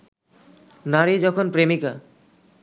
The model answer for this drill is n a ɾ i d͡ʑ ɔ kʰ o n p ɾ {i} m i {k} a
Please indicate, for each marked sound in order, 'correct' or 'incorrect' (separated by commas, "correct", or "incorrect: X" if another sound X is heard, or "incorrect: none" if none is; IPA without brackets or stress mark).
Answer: incorrect: e, correct